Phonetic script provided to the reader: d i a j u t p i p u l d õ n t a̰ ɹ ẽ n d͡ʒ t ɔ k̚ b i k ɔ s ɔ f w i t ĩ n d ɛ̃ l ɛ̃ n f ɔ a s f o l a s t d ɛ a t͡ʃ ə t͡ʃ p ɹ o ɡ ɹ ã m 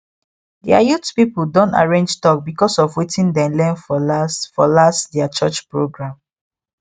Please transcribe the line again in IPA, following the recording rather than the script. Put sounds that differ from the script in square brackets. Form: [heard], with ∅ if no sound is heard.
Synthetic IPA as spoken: d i a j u t p i p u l d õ n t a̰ ɹ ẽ n d͡ʒ t ɔ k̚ b i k ɔ s ɔ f w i t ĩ n d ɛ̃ l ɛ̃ n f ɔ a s f [ɔ] l a s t d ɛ a t͡ʃ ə t͡ʃ p ɹ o ɡ ɹ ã m